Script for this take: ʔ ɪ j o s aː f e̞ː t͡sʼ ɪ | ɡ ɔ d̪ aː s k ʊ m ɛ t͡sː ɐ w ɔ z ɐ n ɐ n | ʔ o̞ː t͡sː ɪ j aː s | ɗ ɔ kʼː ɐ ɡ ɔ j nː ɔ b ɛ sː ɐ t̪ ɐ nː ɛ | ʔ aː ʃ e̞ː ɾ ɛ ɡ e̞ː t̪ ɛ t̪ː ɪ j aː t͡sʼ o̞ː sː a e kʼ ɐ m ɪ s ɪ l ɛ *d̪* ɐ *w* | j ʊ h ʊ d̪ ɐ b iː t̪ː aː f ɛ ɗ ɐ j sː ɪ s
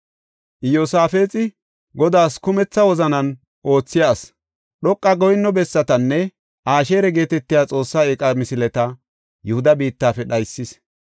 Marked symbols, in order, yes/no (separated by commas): no, no